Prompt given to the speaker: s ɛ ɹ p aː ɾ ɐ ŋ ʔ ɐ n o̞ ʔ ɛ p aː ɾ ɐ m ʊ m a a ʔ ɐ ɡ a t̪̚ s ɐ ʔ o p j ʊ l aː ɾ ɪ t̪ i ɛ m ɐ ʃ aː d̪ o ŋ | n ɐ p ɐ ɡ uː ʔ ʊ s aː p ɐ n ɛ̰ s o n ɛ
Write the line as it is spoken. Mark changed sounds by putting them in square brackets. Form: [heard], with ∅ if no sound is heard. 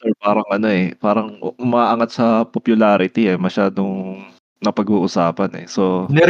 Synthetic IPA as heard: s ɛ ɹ p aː ɾ ɐ ŋ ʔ ɐ n o̞ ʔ ɛ p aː ɾ ɐ [ŋ] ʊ m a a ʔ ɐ [ŋ] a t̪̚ s ɐ [p] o p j ʊ l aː ɾ ɪ t̪ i ɛ m ɐ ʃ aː d̪ o ŋ | n ɐ p ɐ ɡ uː ʔ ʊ s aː p ɐ n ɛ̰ s o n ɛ